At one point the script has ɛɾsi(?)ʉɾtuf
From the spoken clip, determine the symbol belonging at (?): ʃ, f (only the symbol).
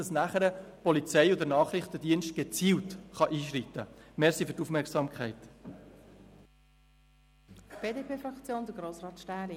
f